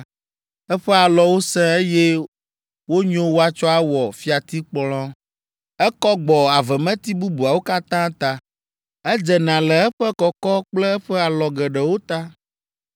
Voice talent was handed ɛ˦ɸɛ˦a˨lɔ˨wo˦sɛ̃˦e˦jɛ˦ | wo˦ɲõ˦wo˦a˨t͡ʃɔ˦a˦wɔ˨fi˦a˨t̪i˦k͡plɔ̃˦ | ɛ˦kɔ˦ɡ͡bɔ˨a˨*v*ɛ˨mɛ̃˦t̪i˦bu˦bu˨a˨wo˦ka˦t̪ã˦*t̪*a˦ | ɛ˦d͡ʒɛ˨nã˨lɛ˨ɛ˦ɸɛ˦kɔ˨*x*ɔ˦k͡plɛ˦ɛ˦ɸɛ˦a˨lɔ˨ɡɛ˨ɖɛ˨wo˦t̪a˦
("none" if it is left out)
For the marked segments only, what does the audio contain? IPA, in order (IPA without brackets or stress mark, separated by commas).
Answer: v, t̪, k